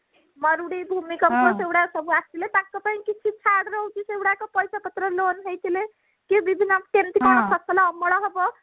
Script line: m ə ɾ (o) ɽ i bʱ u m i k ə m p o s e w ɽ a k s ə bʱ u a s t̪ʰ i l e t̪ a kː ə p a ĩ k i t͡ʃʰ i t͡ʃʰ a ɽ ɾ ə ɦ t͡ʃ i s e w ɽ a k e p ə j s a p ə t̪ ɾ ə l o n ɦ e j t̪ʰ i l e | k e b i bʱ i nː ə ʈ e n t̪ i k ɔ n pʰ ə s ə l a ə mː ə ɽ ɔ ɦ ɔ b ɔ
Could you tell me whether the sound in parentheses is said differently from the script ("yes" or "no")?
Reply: yes